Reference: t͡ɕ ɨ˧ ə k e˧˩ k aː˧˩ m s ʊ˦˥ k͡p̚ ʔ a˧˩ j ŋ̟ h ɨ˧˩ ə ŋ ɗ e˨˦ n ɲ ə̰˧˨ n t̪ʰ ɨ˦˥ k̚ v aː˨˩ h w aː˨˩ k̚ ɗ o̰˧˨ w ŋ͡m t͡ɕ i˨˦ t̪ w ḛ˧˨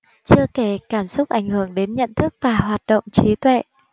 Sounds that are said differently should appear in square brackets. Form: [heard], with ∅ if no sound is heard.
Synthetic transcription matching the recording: t͡ɕ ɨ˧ ə k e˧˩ k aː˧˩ m s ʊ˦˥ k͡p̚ ʔ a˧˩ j ŋ̟ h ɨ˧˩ ə ŋ ɗ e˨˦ n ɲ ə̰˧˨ n t̪ʰ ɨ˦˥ k̚ v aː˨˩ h w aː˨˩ [t̚] ɗ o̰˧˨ w ŋ͡m t͡ɕ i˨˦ t̪ w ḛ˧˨

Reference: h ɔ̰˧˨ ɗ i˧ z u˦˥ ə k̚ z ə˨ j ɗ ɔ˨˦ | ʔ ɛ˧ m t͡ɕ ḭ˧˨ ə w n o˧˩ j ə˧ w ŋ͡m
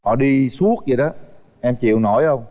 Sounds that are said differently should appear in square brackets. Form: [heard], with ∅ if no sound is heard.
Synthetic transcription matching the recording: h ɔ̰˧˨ ɗ i˧ [s] u˦˥ ə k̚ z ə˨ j ɗ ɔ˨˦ | ʔ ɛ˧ m t͡ɕ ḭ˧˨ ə w n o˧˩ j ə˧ w ŋ͡m

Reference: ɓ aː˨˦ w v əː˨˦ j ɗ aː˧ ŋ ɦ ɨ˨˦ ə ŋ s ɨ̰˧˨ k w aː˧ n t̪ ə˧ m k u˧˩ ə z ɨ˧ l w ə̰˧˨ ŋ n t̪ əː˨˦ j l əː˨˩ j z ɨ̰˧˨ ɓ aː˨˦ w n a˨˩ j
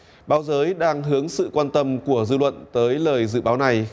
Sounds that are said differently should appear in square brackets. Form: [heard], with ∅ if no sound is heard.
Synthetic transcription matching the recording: ɓ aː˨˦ w [z] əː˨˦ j ɗ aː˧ ŋ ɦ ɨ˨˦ ə ŋ s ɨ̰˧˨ k w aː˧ n t̪ ə˧ m k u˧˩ ə z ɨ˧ l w ə̰˧˨ [∅] n t̪ əː˨˦ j l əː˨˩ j z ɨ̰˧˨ ɓ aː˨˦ w n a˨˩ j

